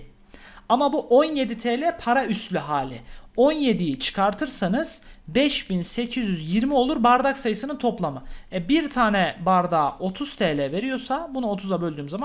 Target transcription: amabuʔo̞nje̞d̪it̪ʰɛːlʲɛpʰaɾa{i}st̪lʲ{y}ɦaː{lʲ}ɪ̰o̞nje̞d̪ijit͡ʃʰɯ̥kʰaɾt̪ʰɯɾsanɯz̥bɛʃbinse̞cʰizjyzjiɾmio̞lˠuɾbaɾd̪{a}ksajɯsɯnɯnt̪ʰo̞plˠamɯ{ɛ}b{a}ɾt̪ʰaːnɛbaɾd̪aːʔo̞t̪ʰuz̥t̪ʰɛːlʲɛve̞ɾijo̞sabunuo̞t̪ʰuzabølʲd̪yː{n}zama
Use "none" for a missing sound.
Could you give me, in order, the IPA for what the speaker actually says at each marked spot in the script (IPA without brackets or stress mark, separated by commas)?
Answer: y, y, lʲ, a, ɛ, i, m